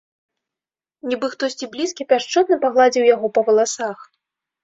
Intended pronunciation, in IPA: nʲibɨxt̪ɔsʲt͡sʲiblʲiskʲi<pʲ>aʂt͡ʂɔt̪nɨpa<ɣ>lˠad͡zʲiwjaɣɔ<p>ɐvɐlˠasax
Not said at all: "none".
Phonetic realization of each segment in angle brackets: pʲ, ɣ, p

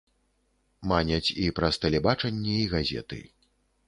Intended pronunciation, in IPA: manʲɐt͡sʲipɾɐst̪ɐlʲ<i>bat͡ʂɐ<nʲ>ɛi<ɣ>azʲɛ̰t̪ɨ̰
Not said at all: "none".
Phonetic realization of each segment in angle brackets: ɛ, nʲː, ɣ

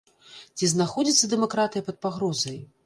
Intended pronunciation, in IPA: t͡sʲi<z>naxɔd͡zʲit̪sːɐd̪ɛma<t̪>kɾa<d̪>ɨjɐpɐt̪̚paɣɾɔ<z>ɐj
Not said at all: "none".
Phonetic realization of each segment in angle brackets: z, none, t̪, z

